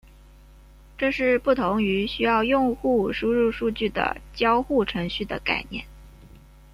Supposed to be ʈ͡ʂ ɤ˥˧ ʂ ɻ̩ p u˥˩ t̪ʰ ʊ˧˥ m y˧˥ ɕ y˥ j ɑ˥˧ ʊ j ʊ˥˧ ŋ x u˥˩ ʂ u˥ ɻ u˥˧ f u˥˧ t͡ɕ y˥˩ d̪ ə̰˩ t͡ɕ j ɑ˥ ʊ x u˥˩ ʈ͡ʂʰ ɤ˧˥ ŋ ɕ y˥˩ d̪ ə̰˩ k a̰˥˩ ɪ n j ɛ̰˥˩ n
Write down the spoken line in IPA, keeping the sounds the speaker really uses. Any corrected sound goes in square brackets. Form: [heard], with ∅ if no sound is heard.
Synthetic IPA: ʈ͡ʂ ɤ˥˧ ʂ ɻ̩ p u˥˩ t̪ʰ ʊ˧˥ [ŋ] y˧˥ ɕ y˥ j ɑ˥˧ ʊ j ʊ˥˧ ŋ x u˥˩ ʂ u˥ ɻ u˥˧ [ʂ] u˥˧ t͡ɕ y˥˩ d̪ ə̰˩ t͡ɕ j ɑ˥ ʊ x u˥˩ ʈ͡ʂʰ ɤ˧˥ ŋ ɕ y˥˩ d̪ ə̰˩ k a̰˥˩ ɪ n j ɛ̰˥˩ n